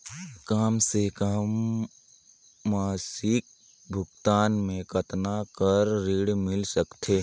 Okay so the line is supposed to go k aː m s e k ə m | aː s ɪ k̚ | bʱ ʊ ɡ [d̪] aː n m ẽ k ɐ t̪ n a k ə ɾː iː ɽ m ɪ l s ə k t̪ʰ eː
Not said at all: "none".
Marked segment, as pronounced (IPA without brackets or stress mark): t̪